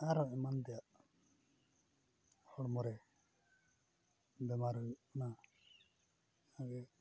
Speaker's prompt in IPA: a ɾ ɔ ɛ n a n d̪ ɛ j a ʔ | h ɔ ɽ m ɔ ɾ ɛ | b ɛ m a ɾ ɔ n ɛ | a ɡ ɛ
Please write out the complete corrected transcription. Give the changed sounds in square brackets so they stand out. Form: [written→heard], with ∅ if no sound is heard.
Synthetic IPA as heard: a ɾ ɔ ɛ [n→m] a n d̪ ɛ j a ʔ | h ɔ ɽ m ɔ ɾ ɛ | b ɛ m a ɾ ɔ n [ɛ→a] | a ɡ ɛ